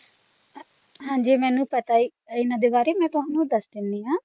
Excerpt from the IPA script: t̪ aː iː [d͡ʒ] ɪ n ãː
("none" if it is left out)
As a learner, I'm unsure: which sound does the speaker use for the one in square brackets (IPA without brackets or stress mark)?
none